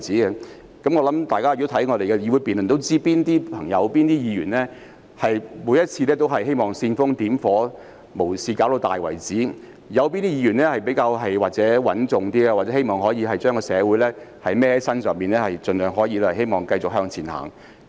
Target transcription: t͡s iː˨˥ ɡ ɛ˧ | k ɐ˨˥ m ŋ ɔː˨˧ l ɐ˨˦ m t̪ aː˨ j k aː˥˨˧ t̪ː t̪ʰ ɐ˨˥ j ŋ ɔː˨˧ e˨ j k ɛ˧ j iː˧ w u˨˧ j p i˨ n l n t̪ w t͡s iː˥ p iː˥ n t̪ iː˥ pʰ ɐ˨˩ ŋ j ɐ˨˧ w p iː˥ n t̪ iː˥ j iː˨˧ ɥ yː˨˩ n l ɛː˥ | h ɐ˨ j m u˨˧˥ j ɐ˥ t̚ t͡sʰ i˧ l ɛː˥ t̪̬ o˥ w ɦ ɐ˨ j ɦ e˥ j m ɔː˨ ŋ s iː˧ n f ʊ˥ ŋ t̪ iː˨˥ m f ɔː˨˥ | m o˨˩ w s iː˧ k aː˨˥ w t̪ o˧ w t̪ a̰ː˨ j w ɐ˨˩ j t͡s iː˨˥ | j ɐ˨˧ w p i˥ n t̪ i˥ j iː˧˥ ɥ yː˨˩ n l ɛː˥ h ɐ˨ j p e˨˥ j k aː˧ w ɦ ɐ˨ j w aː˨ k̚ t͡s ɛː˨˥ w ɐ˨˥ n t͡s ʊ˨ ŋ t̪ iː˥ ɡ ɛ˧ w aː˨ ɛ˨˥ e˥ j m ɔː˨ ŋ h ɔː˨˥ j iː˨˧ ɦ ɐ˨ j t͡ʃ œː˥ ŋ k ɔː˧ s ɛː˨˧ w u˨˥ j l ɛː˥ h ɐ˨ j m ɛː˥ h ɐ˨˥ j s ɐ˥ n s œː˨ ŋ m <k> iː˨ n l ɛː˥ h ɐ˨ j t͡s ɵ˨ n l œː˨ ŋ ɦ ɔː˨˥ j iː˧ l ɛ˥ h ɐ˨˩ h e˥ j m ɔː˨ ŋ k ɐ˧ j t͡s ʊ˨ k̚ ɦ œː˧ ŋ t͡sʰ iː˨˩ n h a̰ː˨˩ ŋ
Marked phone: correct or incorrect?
incorrect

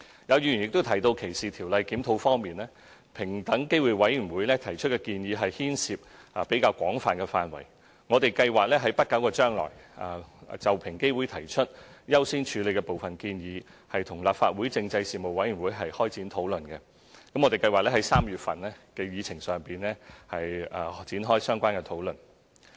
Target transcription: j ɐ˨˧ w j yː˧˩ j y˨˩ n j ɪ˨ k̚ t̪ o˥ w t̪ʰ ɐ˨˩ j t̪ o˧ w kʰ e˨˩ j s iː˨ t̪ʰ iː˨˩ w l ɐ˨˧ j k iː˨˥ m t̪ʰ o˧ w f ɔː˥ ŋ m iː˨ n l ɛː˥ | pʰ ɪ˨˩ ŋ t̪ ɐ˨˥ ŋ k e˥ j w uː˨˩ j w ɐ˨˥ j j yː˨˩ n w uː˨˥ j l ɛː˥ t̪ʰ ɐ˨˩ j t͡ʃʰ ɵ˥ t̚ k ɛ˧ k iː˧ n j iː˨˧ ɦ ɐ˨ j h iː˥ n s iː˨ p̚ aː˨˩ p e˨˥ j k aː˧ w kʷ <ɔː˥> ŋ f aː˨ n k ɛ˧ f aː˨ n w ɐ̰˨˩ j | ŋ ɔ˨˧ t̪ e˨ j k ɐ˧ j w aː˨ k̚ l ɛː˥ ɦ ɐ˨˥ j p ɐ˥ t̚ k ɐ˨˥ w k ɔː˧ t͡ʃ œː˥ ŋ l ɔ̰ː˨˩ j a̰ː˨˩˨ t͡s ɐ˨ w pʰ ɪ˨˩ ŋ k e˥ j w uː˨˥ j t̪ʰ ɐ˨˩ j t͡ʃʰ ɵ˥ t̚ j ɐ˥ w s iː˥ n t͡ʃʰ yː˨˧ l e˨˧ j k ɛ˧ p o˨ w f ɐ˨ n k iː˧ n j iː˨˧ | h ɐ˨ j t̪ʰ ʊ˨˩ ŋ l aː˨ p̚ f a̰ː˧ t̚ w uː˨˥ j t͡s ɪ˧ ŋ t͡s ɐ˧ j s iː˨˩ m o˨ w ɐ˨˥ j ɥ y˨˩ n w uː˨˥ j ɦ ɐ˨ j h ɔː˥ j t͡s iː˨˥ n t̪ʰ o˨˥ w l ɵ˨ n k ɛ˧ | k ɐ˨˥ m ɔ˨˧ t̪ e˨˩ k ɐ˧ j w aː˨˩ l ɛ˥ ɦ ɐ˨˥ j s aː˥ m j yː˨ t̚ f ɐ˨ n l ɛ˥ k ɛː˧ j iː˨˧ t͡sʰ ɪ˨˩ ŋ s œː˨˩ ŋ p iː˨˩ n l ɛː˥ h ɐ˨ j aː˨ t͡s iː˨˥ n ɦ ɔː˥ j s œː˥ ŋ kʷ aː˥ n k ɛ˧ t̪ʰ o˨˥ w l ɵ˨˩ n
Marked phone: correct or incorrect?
incorrect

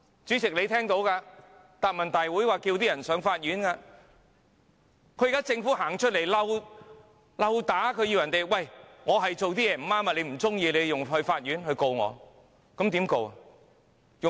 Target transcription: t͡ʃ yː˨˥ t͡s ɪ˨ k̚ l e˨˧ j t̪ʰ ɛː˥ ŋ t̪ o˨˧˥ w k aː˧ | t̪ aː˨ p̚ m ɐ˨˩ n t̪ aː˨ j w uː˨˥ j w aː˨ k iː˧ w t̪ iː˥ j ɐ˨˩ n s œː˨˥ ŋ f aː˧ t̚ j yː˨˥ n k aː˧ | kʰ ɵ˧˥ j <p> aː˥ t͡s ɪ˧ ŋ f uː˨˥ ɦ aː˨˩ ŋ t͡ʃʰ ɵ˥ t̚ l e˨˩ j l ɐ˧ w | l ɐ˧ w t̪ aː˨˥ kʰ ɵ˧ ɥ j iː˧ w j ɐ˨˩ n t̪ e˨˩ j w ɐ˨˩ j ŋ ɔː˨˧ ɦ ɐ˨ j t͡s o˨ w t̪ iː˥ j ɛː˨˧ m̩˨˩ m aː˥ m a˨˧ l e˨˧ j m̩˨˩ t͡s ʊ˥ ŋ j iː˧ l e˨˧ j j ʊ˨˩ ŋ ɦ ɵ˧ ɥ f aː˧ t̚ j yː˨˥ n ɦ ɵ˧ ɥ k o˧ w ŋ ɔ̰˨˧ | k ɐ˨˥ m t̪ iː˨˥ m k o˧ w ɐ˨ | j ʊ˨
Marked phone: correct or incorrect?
incorrect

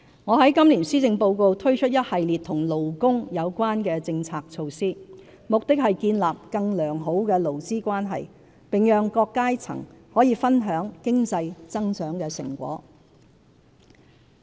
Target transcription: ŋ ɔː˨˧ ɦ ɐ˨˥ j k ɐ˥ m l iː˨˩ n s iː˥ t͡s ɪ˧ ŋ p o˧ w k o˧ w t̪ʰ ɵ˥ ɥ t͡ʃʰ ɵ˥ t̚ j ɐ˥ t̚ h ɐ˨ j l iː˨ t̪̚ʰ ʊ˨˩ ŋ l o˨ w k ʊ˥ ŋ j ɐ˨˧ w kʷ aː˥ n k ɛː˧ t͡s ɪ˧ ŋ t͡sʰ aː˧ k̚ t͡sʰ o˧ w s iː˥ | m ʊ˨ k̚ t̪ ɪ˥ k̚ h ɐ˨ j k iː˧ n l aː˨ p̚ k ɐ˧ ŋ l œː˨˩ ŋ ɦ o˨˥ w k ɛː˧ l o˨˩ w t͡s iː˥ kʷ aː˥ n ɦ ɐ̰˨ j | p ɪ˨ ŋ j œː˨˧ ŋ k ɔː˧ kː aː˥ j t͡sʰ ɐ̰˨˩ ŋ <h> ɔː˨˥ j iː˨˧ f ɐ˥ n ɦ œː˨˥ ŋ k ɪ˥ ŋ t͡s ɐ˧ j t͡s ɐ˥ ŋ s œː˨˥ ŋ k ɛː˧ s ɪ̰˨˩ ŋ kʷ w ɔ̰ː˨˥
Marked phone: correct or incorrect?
correct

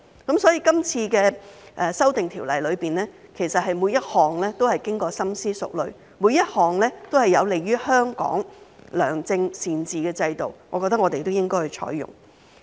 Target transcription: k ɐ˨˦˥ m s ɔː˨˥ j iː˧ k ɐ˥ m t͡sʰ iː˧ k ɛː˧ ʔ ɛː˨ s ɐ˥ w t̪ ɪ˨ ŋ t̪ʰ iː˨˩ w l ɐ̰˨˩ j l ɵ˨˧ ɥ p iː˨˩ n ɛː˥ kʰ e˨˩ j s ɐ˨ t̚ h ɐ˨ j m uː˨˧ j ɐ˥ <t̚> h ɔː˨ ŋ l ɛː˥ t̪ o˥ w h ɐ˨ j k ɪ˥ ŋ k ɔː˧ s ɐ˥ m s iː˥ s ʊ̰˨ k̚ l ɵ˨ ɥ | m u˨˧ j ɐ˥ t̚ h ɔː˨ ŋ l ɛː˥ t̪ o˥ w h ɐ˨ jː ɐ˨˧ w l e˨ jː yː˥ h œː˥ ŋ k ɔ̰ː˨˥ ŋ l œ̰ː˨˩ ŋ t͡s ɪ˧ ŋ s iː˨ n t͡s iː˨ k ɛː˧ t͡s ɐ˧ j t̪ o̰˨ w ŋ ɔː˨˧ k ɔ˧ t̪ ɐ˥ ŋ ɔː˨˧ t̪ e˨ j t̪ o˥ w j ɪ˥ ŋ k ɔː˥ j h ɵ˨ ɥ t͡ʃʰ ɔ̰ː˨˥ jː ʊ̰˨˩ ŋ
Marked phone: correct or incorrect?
correct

